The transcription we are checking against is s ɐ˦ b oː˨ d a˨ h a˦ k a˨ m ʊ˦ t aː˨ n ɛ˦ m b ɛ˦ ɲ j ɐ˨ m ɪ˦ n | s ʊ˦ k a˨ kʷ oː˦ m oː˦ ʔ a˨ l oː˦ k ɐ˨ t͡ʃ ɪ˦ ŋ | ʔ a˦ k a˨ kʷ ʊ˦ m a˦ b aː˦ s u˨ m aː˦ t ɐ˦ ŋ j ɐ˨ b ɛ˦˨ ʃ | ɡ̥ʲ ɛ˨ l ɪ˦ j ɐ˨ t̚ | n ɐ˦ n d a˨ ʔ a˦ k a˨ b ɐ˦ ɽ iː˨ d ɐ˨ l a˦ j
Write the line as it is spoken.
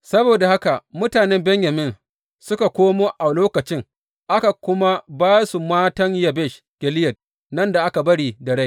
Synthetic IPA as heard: s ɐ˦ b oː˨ d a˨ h a˦ k a˨ m ʊ˦ t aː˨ n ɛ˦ m b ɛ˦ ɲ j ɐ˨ m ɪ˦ n | s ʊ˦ k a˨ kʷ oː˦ m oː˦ ʔ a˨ l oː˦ k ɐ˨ t͡ʃ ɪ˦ ŋ | ʔ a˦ k a˨ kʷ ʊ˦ m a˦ b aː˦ s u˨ m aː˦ t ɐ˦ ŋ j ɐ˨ b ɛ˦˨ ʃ | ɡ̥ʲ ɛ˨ l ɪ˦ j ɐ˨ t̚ | n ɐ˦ n d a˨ ʔ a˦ k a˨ b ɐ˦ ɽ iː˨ d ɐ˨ ɽ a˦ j